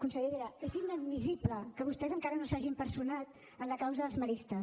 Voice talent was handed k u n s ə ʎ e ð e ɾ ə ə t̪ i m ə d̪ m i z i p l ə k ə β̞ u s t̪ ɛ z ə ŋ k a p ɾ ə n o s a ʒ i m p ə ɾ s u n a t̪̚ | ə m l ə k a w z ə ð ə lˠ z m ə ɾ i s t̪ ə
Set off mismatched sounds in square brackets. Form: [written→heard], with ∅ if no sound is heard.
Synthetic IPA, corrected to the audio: k u n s ə ʎ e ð e ɾ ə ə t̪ i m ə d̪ m i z i p l ə k ə β̞ u s t̪ ɛ z ə ŋ k a [p→∅] ɾ ə n o s a ʒ i m p ə ɾ s u n a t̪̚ | ə [m→n] l ə k a w z ə ð ə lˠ z m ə ɾ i s t̪ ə

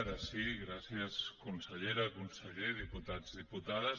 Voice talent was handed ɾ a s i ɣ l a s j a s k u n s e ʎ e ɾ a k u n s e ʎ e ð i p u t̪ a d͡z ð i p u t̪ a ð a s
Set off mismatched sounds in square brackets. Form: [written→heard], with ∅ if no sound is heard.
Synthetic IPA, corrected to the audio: ɾ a s i ɣ [l→ɾ] a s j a s k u n s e ʎ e ɾ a k u n s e ʎ e ð i p u t̪ a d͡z ð i p u t̪ a ð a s

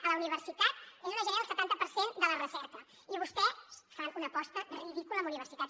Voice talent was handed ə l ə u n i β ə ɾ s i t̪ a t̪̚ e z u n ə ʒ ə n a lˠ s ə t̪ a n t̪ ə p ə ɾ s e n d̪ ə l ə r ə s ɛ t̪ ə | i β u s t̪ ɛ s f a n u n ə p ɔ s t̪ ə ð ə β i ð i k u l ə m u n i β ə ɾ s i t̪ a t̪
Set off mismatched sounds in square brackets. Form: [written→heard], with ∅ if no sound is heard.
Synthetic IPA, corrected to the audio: ə l ə u n i β ə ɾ s i t̪ a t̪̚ e z u n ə ʒ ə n a lˠ s ə t̪ a n t̪ ə p ə ɾ s e n d̪ ə l ə r ə s ɛ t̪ ə | i β u s t̪ ɛ s f a n u n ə p ɔ s t̪ ə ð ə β i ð i k u l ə m u n i β ə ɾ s i t̪ a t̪

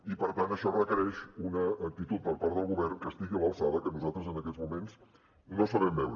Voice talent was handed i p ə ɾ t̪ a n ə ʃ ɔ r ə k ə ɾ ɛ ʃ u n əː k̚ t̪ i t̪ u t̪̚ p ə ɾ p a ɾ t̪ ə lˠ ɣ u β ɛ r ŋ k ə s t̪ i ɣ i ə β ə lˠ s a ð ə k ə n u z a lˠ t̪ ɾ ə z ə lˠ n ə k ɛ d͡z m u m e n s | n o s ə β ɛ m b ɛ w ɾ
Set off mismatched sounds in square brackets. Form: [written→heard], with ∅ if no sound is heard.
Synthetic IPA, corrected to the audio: i p ə ɾ t̪ a n ə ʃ ɔ r ə k ə ɾ ɛ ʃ u n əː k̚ t̪ i t̪ u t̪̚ p ə ɾ p a ɾ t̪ ə lˠ ɣ u β ɛ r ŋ k ə s t̪ i ɣ i ə β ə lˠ s a ð ə k ə n u z a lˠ t̪ ɾ ə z ə [lˠ→∅] n ə k ɛ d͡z m u m e n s | n o s ə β ɛ m b ɛ w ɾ

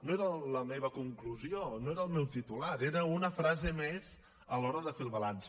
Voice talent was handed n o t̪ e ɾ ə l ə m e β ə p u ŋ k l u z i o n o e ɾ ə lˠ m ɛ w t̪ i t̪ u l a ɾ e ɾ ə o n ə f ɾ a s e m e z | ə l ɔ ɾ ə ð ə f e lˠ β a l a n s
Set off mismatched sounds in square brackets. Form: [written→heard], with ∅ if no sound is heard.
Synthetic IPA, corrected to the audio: n o [t̪→∅] e ɾ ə l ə m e β ə [p→k] u ŋ k l u z i o n o e ɾ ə lˠ m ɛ w t̪ i t̪ u l a ɾ e ɾ ə [o→u] n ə f ɾ a [s→z] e m e z | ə l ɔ ɾ ə ð ə f e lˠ β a l a n s

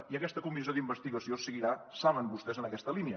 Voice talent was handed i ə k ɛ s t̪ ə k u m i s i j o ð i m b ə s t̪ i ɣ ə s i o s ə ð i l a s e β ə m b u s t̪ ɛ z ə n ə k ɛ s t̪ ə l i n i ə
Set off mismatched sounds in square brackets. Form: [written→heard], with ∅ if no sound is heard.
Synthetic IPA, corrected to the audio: i ə k ɛ s t̪ ə k u m i [s→z] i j o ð i m b ə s t̪ i ɣ ə s i o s ə [ð→ɣ] i [l→ɾ] a s [e→a] β ə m b u s t̪ ɛ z ə n ə k ɛ s t̪ ə l i n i ə

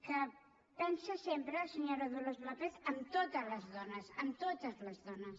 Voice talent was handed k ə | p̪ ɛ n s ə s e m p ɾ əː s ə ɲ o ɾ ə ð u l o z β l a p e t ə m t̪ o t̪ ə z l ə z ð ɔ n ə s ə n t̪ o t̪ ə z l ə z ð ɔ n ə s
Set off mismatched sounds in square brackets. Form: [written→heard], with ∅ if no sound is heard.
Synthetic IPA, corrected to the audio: k ə | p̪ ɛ n s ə s e m p ɾ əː s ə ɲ o ɾ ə ð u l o z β l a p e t ə m t̪ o t̪ ə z l ə z ð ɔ n ə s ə [n→m] t̪ o t̪ ə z l ə z ð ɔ n ə s

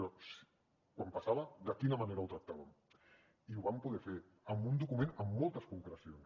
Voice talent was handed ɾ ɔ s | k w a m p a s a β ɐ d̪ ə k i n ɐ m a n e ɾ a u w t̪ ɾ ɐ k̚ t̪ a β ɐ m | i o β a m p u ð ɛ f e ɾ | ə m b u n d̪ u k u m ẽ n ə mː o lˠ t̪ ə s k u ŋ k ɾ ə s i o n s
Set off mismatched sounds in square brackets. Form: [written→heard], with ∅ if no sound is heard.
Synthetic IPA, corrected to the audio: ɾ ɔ s | k w a m p a s a β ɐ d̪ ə k i n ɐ m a n e ɾ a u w t̪ ɾ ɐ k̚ t̪ a β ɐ m | i [o→u] β a m p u ð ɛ f e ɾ | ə m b u n d̪ u k u m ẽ n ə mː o lˠ t̪ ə s k u ŋ k ɾ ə s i o n s

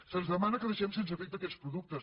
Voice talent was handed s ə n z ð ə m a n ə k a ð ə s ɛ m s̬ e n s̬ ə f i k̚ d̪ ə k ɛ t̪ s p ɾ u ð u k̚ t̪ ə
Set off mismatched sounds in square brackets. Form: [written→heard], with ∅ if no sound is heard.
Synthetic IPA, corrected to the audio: s ə n z ð ə m a n ə k [a→ə] ð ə [s→ʃ] ɛ m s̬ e n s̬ ə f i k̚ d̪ ə k ɛ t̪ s p ɾ u ð u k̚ t̪ ə

